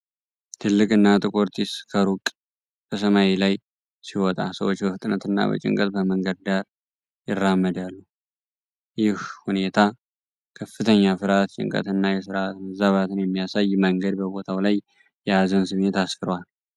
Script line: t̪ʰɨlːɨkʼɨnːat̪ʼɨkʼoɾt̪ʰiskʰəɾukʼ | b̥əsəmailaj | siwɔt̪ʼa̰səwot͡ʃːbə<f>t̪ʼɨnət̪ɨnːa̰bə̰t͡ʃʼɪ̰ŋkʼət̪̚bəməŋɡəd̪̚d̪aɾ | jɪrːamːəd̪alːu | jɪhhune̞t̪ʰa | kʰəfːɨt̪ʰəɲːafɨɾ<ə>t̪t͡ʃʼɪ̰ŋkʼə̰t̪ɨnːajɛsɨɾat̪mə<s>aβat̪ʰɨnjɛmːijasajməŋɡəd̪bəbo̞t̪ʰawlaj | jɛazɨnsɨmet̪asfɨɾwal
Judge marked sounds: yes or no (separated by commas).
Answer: yes, no, no